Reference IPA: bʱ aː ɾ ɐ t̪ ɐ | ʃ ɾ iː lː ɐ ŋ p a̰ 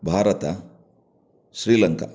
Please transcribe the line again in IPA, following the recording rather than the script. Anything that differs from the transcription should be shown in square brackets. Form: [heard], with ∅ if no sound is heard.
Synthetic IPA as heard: bʱ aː ɾ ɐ t̪ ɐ | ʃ ɾ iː [l] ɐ ŋ [k] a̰